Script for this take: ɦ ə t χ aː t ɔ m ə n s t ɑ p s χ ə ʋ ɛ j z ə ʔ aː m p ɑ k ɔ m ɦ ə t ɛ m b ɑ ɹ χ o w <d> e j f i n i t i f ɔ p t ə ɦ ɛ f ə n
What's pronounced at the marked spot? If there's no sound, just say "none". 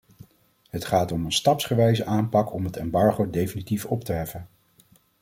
d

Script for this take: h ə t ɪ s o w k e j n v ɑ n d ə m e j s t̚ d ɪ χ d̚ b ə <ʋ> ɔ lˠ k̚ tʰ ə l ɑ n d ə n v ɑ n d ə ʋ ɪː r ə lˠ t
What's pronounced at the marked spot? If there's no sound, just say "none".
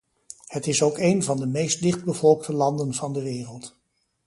v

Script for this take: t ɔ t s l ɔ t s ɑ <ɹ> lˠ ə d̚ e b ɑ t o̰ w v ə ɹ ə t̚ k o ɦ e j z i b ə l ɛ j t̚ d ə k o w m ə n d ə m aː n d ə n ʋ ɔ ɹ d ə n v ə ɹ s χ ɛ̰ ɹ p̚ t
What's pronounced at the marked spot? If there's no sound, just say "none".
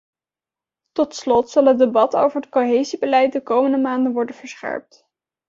none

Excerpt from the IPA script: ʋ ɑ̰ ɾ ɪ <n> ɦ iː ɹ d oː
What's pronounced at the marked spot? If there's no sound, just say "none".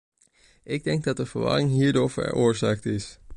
ŋ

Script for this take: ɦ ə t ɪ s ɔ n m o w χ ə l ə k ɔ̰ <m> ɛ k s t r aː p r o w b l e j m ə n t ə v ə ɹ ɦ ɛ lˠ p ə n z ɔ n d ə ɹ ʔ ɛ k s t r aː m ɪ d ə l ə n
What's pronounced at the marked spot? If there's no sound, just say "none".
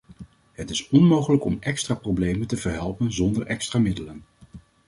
m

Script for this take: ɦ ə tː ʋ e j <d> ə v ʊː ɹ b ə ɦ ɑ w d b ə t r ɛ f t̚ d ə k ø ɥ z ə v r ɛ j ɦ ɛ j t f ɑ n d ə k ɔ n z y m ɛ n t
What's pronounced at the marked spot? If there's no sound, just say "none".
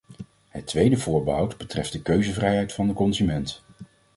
d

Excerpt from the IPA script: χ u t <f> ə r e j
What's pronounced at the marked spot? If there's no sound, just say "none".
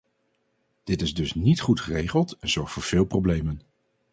χ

